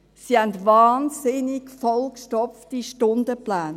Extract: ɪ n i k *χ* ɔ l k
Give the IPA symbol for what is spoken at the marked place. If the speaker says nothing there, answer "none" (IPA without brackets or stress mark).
f